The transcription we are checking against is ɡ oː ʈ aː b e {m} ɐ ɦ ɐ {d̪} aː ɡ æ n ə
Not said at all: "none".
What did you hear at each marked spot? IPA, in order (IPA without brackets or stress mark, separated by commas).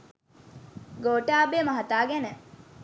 m, t̪